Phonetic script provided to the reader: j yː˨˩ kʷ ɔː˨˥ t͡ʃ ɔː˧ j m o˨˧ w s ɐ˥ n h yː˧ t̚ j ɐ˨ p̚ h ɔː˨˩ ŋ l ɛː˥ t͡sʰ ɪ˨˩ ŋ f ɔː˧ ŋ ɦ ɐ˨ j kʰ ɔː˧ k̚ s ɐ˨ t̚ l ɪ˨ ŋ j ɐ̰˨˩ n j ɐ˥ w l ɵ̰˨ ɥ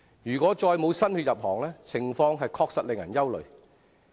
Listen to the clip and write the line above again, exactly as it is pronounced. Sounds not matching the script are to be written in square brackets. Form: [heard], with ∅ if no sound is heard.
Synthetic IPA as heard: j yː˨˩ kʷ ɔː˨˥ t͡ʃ ɔː˧ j m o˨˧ w s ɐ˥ n h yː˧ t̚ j ɐ˨ p̚ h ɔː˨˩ ŋ l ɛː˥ t͡sʰ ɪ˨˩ ŋ f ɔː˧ ŋ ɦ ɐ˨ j kʰ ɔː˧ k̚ s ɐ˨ t̚ l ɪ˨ ŋ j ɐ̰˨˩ n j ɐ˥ w l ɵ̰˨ ɥ